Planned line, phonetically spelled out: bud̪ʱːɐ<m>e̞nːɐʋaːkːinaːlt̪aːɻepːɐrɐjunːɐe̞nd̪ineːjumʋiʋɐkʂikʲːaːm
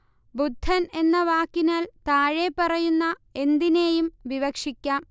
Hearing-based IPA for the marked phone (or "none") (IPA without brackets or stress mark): n